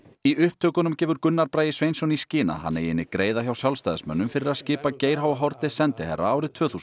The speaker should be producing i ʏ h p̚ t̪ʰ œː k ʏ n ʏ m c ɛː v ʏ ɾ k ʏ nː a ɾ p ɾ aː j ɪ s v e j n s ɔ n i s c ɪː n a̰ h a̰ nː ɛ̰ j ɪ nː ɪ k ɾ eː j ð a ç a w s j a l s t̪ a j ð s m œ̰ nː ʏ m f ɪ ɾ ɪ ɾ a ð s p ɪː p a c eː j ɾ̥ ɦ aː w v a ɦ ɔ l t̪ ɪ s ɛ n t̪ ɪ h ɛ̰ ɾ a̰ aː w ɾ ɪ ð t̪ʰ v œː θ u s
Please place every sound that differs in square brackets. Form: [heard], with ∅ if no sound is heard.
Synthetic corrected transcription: i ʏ h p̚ t̪ʰ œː k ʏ n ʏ m c ɛː v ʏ ɾ k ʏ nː a ɾ p ɾ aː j ɪ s v e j n s ɔ n i s c ɪː n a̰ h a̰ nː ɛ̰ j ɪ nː ɪ k ɾ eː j ð a ç a w s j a l s t̪ a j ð s m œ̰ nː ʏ m f ɪ ɾ ɪ ɾ a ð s [c] ɪː p a c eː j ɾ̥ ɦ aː w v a ɦ ɔ [ɾ] t̪ ɪ s ɛ n t̪ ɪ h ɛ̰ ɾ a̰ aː w ɾ ɪ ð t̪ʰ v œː θ u s

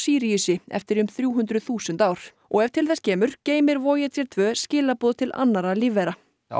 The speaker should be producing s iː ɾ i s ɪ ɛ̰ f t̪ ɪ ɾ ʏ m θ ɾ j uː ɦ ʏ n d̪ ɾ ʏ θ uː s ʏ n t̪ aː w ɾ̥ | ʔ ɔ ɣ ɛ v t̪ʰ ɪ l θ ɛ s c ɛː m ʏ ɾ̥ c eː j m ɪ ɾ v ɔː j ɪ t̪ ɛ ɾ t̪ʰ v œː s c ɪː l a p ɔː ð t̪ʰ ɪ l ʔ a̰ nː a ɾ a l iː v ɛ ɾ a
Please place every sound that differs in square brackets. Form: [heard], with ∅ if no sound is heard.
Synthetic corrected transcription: s iː ɾ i s ɪ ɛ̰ f t̪ ɪ ɾ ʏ m θ ɾ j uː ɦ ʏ n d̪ ɾ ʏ θ uː s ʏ n t̪ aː w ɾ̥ | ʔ ɔ ɣ ɛ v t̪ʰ ɪ l θ ɛ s c ɛː m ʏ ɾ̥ c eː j m ɪ ɾ v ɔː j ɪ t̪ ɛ ɾ t̪ʰ v œː s c ɪː l a p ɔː ð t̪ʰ ɪ l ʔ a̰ nː a ɾ a l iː v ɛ ɾ a

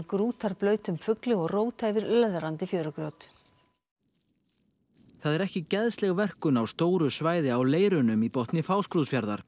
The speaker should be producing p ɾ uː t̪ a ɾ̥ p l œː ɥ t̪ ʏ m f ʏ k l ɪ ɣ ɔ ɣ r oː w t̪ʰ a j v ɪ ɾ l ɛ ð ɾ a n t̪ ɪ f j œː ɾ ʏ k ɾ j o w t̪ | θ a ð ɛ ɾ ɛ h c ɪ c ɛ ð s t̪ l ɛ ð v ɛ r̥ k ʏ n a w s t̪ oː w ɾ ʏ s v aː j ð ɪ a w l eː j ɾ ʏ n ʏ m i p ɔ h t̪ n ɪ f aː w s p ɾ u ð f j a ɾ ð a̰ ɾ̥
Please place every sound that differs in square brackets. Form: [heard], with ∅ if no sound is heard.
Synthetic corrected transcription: [k] ɾ uː t̪ a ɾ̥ p l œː ɥ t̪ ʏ m f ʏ k l ɪ ɣ ɔ ɣ r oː w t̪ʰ a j v ɪ ɾ l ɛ ð ɾ a n t̪ ɪ f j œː ɾ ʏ k ɾ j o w t̪ | θ a ð ɛ ɾ ɛ h c ɪ c ɛ ð s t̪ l ɛ [ɣ] v ɛ r̥ k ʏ n a w s t̪ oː w ɾ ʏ s v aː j ð ɪ a w l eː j ɾ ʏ n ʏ m i p ɔ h t̪ n ɪ f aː w s [k] ɾ u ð f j a ɾ ð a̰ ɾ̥

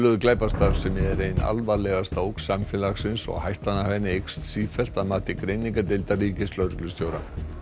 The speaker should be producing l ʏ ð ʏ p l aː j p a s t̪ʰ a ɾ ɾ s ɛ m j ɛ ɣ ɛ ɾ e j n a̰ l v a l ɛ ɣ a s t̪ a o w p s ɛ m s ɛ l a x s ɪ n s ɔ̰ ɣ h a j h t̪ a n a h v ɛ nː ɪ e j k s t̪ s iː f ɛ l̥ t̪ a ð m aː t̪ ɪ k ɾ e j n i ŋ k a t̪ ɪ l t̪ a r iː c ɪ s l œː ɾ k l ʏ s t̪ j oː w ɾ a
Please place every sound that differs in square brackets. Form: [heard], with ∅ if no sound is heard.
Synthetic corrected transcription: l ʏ ð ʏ [k] l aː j p a s [t̪] a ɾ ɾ s ɛ m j ɛ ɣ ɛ ɾ e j n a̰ l v a l ɛ ɣ a s t̪ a o w [k] s [a] m [f] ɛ l a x s ɪ n s ɔ̰ ɣ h a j h t̪ a n a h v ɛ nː ɪ e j k s t̪ s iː f ɛ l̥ t̪ a ð m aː t̪ ɪ k ɾ e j n i ŋ k a t̪ ɪ l t̪ a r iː c ɪ s l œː ɾ k l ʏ s t̪ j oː w ɾ a

